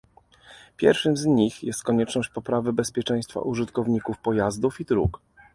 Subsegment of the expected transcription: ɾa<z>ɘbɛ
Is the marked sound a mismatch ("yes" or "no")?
yes